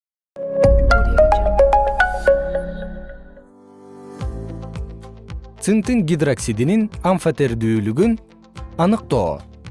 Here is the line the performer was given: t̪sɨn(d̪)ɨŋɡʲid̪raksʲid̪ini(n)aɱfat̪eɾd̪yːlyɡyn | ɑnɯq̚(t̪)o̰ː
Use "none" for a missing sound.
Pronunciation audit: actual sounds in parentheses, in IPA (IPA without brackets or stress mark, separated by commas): t̪, n, t̪